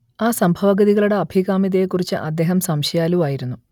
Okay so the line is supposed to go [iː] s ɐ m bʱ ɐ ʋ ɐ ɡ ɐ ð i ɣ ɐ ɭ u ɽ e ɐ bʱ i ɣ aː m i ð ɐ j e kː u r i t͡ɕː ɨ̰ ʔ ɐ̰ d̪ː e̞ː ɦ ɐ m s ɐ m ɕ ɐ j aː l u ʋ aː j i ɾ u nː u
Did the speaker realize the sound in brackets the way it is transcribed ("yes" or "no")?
no